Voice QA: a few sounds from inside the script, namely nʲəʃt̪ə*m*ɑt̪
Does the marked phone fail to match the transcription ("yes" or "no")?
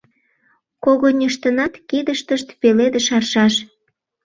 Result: yes